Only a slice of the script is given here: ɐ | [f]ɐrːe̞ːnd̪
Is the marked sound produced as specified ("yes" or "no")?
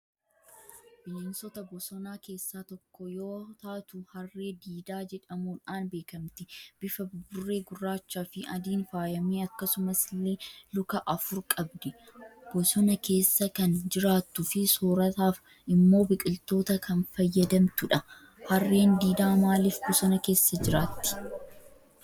no